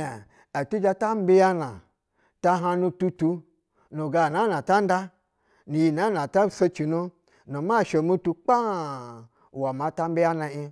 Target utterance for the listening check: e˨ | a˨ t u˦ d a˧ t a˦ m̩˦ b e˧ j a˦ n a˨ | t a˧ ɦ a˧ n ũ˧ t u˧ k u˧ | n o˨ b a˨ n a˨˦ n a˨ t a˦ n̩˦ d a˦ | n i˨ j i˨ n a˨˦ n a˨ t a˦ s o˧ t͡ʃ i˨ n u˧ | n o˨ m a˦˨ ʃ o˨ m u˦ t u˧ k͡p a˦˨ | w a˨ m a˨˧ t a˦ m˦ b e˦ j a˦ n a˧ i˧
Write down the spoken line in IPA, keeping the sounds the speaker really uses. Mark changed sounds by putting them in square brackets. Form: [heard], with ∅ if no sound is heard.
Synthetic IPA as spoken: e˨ | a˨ t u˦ [d͡ʒ] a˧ t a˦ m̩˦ b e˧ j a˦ n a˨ | t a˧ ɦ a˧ n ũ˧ t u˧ [t] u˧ | n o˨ [ɡ] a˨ n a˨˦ n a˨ t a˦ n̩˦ d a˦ | n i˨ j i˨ n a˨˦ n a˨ t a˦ s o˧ t͡ʃ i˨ n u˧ | n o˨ m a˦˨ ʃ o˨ m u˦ t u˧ k͡p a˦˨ | w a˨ m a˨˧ t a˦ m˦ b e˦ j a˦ n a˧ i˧